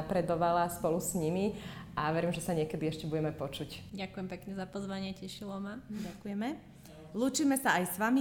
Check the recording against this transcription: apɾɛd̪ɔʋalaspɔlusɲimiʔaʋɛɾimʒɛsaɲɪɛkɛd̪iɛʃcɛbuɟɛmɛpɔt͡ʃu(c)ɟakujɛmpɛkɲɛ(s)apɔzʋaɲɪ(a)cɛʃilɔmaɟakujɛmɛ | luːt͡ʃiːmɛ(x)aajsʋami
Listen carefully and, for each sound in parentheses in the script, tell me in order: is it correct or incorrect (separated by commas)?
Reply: correct, incorrect, incorrect, incorrect